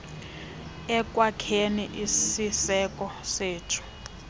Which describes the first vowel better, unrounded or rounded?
unrounded